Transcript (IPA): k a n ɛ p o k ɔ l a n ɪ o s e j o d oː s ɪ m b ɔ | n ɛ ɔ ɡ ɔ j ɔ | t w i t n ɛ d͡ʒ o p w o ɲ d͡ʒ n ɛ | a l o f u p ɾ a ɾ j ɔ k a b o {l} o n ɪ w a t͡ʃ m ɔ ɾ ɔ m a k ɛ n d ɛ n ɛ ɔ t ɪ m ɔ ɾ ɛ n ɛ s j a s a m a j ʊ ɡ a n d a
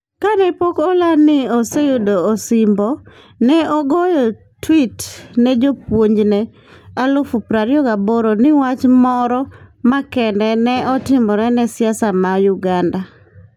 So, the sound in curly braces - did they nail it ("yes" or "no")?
no